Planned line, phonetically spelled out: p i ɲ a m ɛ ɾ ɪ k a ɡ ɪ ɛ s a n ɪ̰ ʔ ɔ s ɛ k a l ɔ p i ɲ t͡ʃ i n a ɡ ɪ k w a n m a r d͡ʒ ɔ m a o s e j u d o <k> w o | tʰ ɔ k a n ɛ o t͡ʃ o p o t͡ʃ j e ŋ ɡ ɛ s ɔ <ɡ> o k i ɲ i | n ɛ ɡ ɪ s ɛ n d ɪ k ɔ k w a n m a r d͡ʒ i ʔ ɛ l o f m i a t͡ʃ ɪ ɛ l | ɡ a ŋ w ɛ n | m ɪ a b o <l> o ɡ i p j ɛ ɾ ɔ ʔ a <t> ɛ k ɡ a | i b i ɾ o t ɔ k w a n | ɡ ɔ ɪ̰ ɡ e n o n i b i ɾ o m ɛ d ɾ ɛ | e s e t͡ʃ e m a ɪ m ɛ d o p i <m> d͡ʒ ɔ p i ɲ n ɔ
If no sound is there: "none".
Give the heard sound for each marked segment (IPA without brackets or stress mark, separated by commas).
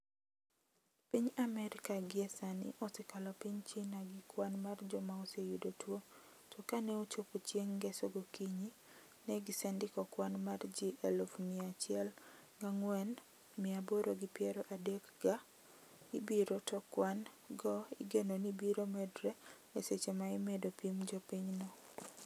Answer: t, ɡ, ɾ, d, m